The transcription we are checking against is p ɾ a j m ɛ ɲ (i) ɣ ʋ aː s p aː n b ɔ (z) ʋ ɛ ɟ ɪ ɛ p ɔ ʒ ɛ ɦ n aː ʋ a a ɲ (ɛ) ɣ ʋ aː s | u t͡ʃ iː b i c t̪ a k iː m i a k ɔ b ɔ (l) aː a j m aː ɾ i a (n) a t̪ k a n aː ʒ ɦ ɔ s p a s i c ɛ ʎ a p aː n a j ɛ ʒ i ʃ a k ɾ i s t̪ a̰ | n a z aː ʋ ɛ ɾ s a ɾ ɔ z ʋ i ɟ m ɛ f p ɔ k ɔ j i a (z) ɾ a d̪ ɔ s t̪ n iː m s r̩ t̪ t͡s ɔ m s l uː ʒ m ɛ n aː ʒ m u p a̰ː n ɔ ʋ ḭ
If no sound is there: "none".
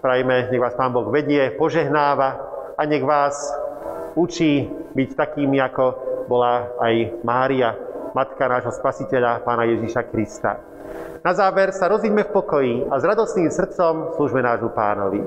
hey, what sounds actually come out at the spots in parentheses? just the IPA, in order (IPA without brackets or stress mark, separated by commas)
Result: ɛ, ɣ, ɛ, l, m, z